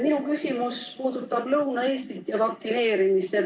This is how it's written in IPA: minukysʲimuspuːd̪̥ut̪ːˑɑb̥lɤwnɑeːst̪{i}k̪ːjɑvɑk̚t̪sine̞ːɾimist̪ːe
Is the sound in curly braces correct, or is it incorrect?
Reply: correct